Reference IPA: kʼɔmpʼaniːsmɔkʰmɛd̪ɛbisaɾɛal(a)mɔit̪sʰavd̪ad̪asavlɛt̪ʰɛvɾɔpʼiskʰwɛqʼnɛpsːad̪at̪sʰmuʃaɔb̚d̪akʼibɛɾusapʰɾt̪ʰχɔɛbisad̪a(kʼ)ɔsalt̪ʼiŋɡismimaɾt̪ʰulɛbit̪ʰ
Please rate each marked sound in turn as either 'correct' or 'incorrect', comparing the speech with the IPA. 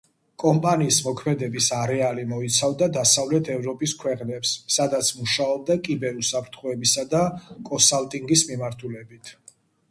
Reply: incorrect, correct

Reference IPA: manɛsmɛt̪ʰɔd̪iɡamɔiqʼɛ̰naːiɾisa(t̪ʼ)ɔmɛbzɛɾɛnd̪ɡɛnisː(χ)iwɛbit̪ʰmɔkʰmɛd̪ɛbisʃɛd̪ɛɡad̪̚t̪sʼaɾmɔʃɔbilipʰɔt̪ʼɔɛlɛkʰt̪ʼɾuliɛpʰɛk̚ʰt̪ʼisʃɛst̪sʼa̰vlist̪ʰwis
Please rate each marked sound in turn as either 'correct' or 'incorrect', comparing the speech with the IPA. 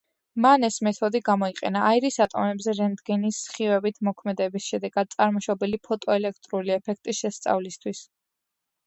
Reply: correct, correct

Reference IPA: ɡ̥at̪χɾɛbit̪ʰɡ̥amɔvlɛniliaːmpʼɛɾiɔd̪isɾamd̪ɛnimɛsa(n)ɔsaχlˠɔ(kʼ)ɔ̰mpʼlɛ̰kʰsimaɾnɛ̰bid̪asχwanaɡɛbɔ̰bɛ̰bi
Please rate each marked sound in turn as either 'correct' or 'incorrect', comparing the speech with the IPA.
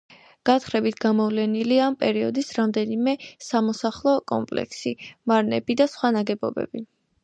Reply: incorrect, correct

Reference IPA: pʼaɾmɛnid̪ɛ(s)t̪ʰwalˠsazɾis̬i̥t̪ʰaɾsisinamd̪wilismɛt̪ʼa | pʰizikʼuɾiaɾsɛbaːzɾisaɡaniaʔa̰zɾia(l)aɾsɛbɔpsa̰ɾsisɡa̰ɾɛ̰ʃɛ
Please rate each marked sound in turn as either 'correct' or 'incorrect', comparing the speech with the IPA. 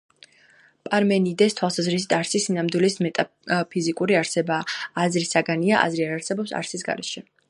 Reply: correct, incorrect

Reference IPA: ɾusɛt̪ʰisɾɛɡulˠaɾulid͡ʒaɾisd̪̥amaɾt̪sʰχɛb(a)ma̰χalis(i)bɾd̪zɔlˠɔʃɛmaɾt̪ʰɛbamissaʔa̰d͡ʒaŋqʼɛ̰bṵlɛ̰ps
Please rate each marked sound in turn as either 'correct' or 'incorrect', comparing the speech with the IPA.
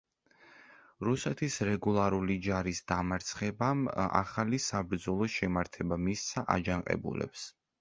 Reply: correct, incorrect

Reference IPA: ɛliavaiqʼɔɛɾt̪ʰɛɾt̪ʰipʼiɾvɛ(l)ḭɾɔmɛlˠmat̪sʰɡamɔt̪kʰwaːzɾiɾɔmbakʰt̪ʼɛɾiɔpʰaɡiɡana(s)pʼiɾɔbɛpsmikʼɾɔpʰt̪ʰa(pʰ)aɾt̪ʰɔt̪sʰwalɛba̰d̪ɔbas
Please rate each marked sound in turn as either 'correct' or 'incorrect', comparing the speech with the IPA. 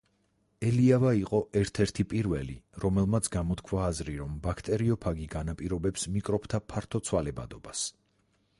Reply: correct, incorrect, correct

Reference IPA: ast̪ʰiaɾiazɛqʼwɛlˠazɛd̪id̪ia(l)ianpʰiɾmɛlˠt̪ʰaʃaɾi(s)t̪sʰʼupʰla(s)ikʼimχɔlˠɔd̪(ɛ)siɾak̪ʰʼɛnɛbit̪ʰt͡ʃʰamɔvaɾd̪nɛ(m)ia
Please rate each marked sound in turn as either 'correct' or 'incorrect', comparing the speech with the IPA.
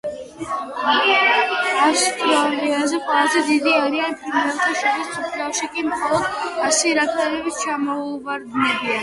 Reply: incorrect, correct, incorrect, incorrect, incorrect

